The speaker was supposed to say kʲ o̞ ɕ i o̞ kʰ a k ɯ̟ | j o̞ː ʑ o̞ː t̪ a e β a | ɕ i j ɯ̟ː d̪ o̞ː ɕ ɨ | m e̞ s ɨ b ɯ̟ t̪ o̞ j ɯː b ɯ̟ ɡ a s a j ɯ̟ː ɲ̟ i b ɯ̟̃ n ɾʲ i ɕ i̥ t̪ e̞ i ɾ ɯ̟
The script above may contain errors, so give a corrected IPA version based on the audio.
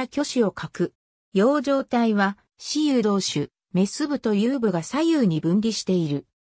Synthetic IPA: kʲ o̞ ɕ i o̞ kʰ a k ɯ̟ | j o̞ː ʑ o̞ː t̪ a i β a | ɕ i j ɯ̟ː d̪ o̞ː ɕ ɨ | m e̞ s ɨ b ɯ̟ t̪ o̞ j ɯː b ɯ̟ ɡ a s a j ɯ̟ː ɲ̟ i b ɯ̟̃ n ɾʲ i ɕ i̥ t̪ e̞ i ɾ ɯ̟